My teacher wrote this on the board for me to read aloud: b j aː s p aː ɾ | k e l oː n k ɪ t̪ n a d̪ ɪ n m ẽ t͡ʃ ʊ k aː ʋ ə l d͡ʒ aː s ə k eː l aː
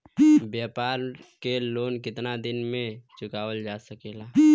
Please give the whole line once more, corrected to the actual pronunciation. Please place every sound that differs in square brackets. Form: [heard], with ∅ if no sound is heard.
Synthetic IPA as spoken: b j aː [∅] p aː ɾ | k e l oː n k ɪ t̪ n a d̪ ɪ n m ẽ t͡ʃ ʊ k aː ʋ ə l d͡ʒ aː s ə k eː l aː

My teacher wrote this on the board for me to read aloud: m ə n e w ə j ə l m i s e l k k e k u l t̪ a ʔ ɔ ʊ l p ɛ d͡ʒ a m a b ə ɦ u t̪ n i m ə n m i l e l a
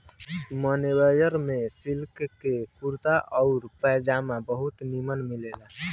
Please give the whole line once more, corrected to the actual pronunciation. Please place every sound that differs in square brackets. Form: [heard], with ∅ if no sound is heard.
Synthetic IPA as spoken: m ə n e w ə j ə [ɾ] m [e] s [i] l k k e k u [ɾ] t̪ a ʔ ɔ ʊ [ɾ] p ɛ d͡ʒ a m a b ə ɦ u t̪ n i m ə n m i l e l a

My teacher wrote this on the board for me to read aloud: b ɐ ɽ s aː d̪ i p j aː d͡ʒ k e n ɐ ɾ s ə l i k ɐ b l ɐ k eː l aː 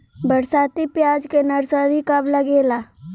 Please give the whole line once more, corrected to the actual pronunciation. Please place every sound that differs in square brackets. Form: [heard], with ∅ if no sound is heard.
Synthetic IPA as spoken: b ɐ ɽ s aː [t̪] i p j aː d͡ʒ k e n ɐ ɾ s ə [ɾ] i k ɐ b l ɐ [ɡ] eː l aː

